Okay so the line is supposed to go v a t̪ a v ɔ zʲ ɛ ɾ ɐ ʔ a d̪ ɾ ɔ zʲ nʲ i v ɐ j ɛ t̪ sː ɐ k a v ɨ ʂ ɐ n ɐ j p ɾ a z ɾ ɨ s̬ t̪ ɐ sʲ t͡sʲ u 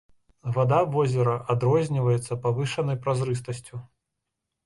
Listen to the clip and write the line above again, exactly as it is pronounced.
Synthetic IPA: v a d̪ a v ɔ zʲ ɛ ɾ ɐ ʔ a d̪ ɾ ɔ zʲ nʲ i v ɐ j ɛ t̪ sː ɐ p a v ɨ ʂ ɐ n ɐ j p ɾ a z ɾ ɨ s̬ t̪ ɐ sʲ t͡sʲ u